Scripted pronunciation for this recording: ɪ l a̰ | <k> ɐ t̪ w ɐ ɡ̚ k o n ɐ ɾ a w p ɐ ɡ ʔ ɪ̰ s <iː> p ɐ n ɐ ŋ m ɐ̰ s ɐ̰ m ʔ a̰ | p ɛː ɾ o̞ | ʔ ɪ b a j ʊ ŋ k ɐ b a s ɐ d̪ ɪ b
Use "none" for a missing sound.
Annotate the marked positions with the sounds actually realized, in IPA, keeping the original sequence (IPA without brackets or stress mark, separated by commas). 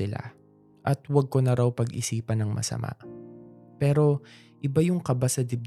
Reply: ʔ, iː